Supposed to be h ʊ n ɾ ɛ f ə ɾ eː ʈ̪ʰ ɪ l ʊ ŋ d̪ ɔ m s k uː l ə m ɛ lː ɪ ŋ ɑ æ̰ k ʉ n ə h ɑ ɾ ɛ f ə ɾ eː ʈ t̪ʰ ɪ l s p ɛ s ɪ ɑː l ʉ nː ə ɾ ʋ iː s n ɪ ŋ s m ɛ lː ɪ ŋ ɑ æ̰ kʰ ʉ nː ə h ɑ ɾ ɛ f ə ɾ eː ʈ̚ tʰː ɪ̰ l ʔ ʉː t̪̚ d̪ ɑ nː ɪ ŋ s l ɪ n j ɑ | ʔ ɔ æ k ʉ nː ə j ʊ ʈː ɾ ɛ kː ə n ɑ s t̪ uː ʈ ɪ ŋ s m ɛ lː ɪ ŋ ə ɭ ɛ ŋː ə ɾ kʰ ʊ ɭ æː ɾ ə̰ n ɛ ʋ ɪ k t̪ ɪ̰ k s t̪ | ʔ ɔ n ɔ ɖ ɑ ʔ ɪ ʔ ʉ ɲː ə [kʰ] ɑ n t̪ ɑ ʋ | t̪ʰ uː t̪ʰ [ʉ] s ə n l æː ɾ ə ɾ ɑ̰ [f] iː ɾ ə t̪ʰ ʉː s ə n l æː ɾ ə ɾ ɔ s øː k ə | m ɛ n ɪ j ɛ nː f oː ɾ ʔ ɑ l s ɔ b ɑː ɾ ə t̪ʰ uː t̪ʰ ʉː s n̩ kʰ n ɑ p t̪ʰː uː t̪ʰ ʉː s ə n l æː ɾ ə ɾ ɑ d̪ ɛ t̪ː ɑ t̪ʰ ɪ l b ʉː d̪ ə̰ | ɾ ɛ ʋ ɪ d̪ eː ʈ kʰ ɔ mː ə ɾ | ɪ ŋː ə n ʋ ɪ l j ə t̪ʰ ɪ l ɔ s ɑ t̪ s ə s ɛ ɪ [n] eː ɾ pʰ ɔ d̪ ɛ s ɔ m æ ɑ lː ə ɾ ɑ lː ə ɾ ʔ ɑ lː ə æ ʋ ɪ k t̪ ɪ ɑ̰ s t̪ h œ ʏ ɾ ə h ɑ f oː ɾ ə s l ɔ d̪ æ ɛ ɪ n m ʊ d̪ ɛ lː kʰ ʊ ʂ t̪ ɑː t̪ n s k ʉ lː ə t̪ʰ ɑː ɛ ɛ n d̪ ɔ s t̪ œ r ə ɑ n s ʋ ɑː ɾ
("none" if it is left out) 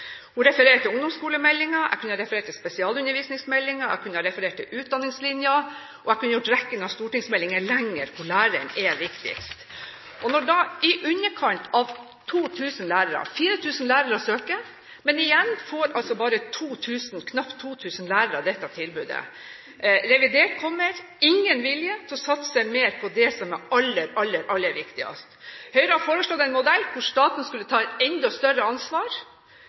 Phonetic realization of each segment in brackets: kʰ, ʉː, f, m

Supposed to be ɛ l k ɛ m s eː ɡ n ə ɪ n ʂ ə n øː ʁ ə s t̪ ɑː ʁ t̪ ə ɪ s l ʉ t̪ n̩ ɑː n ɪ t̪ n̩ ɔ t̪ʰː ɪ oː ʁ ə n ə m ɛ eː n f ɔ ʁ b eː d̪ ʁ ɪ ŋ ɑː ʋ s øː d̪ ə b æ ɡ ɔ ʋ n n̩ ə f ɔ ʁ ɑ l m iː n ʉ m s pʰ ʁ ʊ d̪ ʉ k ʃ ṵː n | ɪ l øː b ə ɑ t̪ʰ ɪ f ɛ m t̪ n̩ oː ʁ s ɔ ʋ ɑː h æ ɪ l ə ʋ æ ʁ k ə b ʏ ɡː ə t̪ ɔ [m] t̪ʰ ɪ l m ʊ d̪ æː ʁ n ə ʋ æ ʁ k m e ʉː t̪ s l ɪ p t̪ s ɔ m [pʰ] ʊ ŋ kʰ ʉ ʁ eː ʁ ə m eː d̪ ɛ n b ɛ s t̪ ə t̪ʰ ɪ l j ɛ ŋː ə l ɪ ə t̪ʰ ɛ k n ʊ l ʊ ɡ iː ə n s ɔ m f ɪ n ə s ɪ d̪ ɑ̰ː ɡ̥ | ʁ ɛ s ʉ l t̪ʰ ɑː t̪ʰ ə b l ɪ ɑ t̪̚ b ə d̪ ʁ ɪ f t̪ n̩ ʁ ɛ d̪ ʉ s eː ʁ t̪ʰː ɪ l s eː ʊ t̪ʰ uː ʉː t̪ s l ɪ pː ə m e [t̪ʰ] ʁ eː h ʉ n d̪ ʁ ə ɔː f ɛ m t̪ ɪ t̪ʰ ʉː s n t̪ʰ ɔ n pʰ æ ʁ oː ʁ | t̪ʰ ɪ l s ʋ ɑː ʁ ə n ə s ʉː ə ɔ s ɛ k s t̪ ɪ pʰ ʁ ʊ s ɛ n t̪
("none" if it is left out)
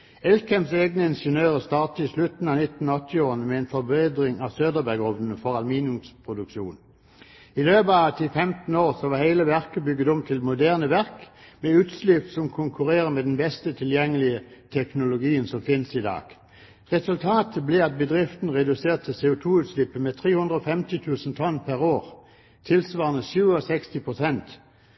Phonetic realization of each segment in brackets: m, kʰ, t̪ʰ

